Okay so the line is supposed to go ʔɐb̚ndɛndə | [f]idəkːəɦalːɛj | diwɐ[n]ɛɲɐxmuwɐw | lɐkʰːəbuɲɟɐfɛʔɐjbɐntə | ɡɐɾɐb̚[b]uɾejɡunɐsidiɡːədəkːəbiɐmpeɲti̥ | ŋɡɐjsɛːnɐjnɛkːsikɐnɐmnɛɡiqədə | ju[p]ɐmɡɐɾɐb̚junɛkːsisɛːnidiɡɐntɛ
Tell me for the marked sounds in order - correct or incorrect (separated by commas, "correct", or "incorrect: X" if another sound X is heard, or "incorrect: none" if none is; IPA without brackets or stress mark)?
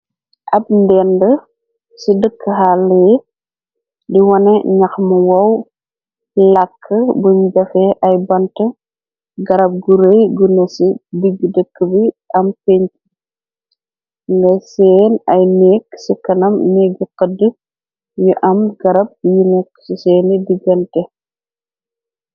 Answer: incorrect: s, correct, incorrect: ɡ, incorrect: ʔ